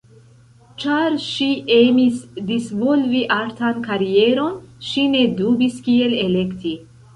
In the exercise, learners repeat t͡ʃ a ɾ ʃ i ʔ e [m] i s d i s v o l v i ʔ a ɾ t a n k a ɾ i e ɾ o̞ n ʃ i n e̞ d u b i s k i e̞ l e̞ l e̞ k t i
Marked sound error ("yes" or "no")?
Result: no